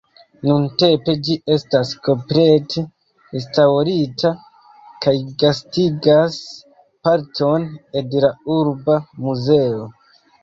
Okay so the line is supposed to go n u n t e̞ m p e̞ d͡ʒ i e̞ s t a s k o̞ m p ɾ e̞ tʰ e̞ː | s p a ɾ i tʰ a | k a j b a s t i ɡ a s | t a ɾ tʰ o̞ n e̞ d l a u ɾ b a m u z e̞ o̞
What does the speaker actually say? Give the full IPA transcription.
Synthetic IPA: n u n t e̞ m p e̞ d͡ʒ i e̞ s t a s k o̞ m p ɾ e̞ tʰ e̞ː | s t a ɾ i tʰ a | k a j ɡ a s t i ɡ a s | p a ɾ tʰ o̞ n e̞ d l a u ɾ b a m u z e̞ o̞